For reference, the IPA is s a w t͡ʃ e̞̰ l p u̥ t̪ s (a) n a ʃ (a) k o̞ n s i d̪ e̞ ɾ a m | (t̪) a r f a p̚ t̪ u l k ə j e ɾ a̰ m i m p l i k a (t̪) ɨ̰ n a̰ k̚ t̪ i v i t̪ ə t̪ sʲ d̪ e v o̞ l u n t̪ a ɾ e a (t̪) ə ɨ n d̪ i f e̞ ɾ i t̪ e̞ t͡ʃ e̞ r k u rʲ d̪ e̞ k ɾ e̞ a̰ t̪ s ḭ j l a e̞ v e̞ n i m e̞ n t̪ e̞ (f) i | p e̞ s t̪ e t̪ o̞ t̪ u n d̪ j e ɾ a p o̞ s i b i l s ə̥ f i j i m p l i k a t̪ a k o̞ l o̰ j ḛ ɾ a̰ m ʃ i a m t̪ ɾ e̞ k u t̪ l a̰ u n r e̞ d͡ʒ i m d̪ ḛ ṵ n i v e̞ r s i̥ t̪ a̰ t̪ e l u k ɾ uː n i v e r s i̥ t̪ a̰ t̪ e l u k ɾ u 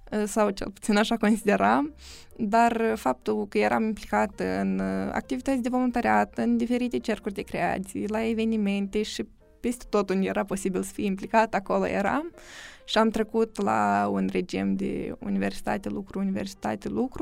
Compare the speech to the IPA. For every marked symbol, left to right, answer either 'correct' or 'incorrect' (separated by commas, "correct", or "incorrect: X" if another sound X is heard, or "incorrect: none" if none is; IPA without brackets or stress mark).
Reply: incorrect: i, correct, incorrect: d̪, correct, correct, incorrect: ʃ